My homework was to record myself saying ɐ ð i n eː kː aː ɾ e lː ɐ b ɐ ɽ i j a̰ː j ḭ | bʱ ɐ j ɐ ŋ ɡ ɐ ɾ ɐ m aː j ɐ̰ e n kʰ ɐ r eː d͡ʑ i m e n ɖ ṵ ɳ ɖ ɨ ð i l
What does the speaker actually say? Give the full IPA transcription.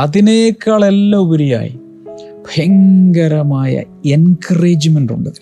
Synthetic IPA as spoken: ɐ ð i n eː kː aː ɭ e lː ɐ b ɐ ɾ i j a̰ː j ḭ | bʱ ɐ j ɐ ŋ ɡ ɐ ɾ ɐ m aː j ɐ̰ e n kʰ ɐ r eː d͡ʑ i m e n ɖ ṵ ɳ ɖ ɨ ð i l